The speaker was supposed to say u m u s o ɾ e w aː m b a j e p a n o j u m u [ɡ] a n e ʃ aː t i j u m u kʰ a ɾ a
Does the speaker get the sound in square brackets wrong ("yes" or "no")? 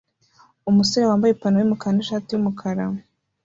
yes